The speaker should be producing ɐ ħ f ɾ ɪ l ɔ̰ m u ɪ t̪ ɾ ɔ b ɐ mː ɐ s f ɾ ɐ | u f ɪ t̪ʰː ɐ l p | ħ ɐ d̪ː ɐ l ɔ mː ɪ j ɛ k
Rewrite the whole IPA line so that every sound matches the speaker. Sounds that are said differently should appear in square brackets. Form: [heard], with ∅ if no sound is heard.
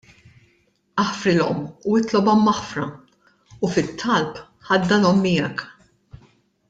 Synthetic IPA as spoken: ɐ ħ f ɾ ɪ l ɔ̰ m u ɪ t̪ [l] ɔ b ɐ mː ɐ [ħ] f ɾ ɐ | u f ɪ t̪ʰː ɐ l p | ħ ɐ d̪ː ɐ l ɔ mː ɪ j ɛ k